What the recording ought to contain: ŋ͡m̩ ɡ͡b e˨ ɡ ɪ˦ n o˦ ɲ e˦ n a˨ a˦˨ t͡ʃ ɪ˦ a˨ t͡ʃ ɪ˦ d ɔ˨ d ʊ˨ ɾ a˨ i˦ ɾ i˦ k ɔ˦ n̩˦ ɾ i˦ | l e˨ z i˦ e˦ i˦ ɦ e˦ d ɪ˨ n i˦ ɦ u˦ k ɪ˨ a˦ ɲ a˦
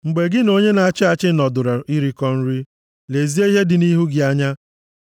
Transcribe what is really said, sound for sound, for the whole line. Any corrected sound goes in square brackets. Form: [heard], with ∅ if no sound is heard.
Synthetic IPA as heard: ŋ͡m̩ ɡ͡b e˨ ɡ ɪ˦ n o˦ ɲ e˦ n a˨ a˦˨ t͡ʃ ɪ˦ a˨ t͡ʃ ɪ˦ [n] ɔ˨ d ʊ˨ ɾ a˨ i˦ ɾ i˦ k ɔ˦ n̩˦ ɾ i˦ | l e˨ z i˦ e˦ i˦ ɦ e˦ d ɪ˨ n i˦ ɦ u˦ [ɡ] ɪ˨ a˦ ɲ a˦